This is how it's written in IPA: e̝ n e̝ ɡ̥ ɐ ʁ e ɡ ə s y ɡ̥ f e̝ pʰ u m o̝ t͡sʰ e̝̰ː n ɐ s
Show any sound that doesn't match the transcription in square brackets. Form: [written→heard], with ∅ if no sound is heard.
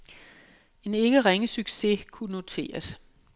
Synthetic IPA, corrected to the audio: e̝ n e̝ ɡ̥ [ɐ→ə] ʁ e [ɡ→ŋ] ə s y ɡ̥ [f→s] e̝ [pʰ→kʰ] u [m→n] o̝ t͡sʰ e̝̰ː [n→∅] ɐ s

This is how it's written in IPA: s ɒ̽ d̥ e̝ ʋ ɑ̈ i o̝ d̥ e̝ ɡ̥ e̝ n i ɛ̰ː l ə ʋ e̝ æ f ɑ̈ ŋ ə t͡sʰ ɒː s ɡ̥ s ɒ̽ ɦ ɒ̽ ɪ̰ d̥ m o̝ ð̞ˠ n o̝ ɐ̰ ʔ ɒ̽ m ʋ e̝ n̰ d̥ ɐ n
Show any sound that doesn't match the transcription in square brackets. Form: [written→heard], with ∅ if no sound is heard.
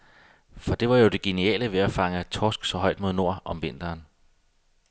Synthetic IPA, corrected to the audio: [s→f] ɒ̽ d̥ e̝ ʋ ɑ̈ [i→j] o̝ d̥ e̝ ɡ̥ e̝ n i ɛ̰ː l ə ʋ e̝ æ f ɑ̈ ŋ ə t͡sʰ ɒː s ɡ̥ s ɒ̽ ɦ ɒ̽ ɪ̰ d̥ m o̝ ð̞ˠ n o̝ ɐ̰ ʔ ɒ̽ m ʋ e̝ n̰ d̥ [ɐ→ɐː] n

